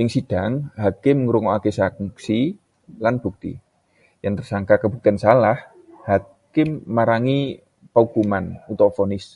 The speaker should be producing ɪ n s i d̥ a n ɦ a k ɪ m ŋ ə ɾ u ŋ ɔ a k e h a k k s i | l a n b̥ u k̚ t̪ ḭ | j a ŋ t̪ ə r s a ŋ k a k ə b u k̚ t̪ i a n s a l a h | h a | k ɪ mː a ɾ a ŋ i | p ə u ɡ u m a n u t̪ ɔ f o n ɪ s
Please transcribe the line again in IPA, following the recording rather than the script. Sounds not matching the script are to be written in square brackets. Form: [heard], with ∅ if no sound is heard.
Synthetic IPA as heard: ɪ [ŋ] s i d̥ a [ŋ] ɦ a k ɪ m ŋ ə ɾ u ŋ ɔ a k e [s] a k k s i | l a n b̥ u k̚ t̪ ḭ | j a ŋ t̪ ə r s a ŋ k a k ə b u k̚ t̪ i a n s a l a h | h a | k ɪ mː a ɾ a ŋ i | p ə u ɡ u m a n u t̪ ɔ f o n ɪ s